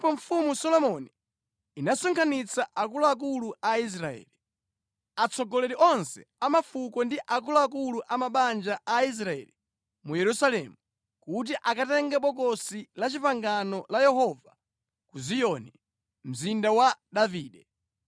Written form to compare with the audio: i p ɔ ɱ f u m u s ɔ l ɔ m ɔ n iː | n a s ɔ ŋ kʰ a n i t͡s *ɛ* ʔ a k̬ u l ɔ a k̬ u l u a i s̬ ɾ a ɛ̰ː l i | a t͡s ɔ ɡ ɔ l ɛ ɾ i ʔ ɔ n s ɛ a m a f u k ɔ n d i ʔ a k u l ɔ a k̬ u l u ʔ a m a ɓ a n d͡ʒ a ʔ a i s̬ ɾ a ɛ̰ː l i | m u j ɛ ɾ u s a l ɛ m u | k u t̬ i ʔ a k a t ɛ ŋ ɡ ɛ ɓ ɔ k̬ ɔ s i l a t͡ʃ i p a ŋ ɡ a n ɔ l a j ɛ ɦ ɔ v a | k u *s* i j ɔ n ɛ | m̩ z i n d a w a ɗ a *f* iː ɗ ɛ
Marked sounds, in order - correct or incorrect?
incorrect: a, incorrect: z, incorrect: v

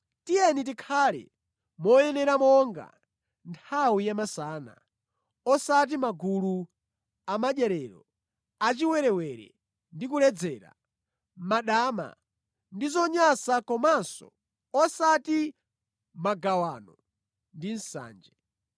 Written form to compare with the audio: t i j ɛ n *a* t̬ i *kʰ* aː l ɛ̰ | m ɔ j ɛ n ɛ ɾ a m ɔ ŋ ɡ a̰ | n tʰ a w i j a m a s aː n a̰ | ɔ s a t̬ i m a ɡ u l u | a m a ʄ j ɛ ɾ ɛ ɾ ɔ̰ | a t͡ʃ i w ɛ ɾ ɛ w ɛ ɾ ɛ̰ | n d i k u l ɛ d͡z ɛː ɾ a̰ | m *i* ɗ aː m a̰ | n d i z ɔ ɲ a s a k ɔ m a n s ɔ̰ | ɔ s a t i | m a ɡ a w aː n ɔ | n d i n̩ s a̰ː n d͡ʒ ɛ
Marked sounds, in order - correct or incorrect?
incorrect: i, correct, incorrect: a

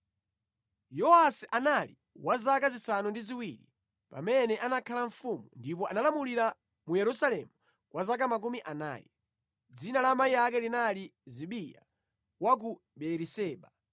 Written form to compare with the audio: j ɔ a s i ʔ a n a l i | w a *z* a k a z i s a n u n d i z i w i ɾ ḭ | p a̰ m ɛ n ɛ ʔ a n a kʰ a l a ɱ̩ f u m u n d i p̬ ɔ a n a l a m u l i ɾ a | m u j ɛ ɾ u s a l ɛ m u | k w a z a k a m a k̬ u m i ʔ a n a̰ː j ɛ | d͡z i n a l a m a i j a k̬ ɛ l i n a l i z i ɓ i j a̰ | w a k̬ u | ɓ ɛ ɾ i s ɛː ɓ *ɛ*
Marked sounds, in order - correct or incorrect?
correct, incorrect: a

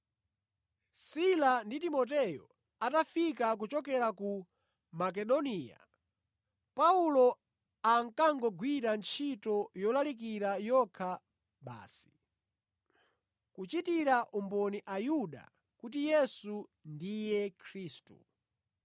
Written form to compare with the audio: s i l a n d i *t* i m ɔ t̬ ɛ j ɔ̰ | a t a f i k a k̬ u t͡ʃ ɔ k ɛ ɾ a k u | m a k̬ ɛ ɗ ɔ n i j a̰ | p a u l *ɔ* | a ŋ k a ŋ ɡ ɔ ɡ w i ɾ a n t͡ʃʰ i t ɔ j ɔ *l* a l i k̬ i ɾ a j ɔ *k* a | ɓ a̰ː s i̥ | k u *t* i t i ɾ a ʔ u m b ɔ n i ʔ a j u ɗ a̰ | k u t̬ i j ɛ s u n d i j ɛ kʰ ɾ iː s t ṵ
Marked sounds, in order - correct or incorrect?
correct, correct, correct, incorrect: kʰ, incorrect: t͡ʃ

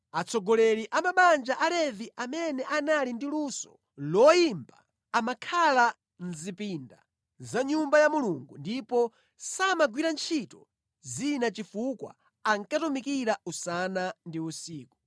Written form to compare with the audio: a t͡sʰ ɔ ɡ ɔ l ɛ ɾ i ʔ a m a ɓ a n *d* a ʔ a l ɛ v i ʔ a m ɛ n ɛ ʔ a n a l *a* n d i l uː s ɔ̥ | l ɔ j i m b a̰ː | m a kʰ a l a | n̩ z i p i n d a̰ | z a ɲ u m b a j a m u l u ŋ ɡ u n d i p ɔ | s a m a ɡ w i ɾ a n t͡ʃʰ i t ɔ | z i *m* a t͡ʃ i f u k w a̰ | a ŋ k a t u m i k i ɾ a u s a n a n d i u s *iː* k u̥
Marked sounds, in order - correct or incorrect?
incorrect: d͡ʒ, incorrect: i, incorrect: n, correct

